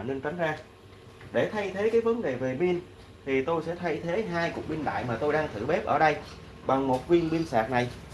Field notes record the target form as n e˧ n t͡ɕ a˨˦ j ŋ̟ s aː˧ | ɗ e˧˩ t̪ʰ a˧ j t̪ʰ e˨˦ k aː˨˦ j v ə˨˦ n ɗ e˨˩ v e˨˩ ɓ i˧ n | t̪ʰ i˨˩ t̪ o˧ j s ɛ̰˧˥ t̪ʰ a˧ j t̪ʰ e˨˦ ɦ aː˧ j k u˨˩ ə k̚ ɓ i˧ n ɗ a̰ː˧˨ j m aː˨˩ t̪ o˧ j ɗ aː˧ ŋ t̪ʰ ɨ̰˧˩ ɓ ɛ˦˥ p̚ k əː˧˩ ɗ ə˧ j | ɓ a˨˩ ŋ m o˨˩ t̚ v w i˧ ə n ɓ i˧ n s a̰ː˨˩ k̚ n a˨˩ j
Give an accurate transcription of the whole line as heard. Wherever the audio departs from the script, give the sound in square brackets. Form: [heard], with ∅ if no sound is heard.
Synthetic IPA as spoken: n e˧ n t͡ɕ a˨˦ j ŋ̟ [z] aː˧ | ɗ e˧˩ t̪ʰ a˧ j t̪ʰ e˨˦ k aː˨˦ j v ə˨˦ n ɗ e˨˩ v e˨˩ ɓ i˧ n | t̪ʰ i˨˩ t̪ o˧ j s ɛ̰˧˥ t̪ʰ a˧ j t̪ʰ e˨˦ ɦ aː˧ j k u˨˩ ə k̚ ɓ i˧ n ɗ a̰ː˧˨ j m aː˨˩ t̪ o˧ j ɗ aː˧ ŋ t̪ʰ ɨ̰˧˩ ɓ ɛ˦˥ p̚ [ʔ] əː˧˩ ɗ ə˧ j | ɓ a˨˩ ŋ m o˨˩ t̚ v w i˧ ə n ɓ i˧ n s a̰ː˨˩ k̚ n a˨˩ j